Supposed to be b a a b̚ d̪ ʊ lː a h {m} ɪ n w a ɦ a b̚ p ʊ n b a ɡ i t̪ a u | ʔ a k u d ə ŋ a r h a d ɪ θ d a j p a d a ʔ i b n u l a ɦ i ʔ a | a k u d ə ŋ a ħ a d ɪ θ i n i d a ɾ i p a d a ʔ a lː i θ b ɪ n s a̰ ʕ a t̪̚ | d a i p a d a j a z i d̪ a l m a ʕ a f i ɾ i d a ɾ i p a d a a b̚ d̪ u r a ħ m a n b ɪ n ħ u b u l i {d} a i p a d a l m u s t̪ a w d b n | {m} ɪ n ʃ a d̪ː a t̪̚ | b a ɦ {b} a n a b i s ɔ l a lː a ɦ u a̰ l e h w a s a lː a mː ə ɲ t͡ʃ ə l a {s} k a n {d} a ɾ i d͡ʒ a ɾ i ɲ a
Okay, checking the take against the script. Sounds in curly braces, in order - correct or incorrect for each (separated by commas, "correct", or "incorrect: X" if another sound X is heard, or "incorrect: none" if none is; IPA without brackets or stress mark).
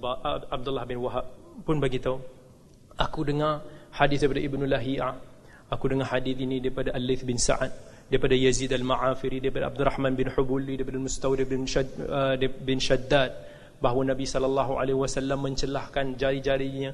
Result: incorrect: b, correct, incorrect: b, incorrect: w, incorrect: h, incorrect: d͡ʒ